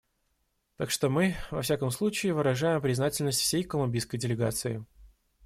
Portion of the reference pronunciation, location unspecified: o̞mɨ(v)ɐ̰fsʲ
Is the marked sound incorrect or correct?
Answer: correct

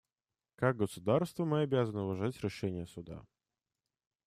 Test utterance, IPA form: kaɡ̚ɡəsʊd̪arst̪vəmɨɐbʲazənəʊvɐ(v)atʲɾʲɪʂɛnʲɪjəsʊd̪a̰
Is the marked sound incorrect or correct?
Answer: incorrect: ʐ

